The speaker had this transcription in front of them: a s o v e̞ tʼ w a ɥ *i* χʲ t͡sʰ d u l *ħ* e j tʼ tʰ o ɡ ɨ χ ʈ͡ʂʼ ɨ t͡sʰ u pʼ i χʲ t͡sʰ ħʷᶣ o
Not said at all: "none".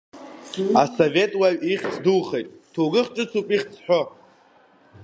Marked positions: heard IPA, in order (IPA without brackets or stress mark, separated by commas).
i, χ